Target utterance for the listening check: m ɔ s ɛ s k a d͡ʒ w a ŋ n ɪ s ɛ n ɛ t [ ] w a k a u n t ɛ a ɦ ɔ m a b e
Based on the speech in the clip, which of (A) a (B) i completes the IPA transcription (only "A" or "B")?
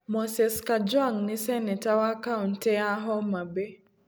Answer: A